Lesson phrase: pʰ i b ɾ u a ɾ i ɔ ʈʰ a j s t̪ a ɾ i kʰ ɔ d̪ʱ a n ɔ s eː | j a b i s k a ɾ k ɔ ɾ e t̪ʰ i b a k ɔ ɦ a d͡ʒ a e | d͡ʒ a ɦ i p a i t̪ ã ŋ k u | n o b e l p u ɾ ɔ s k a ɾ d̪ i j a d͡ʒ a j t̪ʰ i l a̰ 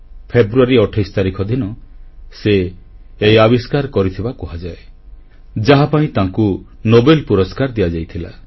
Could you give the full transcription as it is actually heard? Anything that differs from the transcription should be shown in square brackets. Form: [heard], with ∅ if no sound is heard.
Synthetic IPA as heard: pʰ [e] b ɾ u a ɾ i ɔ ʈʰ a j s t̪ a ɾ i kʰ ɔ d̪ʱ [i] n ɔ s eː | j a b i s k a ɾ k ɔ ɾ [i] t̪ʰ i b a k ɔ ɦ a d͡ʒ a e | d͡ʒ a ɦ [a] p a [ĩ] t̪ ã ŋ k u | n o b e l p u ɾ ɔ s k a ɾ d̪ i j a d͡ʒ a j t̪ʰ i l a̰